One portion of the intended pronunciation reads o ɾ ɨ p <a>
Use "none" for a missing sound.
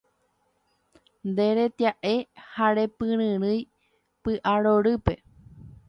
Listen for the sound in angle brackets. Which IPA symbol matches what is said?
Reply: e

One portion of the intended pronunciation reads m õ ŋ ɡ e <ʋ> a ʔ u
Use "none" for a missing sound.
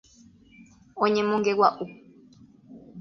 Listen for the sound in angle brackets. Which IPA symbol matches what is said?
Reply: w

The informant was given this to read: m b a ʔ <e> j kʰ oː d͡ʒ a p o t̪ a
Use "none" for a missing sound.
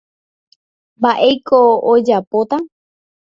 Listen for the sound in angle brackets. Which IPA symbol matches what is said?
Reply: e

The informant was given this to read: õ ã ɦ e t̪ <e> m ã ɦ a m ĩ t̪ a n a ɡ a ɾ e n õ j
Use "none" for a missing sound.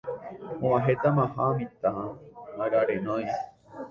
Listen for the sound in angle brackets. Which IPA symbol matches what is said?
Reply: a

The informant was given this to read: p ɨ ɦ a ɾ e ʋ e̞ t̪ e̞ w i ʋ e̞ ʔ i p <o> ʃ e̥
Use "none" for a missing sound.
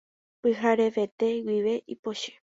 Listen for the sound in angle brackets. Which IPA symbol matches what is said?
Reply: o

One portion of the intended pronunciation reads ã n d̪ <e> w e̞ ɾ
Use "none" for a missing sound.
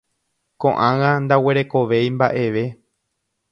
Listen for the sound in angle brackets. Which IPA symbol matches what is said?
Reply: a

